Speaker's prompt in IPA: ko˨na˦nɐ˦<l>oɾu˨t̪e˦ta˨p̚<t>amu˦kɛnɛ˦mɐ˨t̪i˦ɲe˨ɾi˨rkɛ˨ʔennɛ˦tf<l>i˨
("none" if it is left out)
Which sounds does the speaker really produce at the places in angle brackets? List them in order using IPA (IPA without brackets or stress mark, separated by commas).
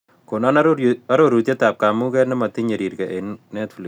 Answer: ɾ, k, l